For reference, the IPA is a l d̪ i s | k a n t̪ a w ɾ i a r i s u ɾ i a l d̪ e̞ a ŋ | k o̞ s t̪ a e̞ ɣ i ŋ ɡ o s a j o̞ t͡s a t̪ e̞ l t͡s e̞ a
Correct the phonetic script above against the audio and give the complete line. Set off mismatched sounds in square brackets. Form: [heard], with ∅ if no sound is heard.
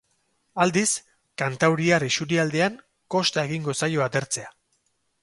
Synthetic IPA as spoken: a l d̪ i s | k a n t̪ a w ɾ i a r i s u ɾ i a l d̪ e̞ a ŋ | k o̞ s t̪ a e̞ ɣ i ŋ ɡ o s a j o̞ [∅] a t̪ e̞ [ɾ] t͡s e̞ a